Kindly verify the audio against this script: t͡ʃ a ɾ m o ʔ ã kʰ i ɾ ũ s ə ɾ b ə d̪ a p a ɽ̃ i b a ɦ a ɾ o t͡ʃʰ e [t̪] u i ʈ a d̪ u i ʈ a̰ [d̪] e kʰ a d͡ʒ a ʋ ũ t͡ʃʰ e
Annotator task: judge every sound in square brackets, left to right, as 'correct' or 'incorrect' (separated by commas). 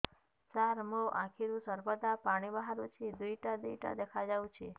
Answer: incorrect, correct